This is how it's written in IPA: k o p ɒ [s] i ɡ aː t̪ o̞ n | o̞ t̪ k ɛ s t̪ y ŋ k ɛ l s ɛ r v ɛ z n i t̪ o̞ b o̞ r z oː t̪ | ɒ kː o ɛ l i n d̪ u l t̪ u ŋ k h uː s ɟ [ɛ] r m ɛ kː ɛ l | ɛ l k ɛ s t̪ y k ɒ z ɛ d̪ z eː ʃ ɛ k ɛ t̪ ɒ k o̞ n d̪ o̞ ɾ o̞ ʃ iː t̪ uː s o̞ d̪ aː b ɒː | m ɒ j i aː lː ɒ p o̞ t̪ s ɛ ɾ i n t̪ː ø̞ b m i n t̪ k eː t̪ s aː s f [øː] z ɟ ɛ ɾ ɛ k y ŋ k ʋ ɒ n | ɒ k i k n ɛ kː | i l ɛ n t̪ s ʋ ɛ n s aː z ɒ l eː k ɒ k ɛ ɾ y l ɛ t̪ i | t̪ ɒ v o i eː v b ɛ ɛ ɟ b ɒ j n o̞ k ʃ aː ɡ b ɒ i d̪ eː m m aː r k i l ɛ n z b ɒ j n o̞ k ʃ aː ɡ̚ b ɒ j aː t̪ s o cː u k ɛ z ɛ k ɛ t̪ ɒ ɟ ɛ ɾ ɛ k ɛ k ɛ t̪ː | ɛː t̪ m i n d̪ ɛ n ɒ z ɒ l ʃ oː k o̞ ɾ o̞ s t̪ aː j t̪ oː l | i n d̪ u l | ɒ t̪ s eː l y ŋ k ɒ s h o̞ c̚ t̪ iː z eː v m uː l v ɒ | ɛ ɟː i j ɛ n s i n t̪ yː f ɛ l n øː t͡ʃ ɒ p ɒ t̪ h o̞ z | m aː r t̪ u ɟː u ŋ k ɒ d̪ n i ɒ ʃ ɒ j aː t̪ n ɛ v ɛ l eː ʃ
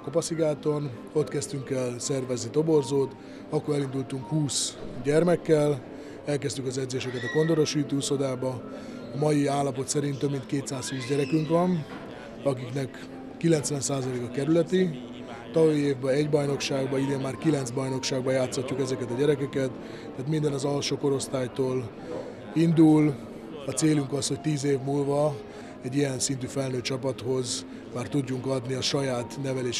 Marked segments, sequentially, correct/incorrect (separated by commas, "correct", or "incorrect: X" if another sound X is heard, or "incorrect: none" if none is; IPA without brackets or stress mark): correct, correct, incorrect: yː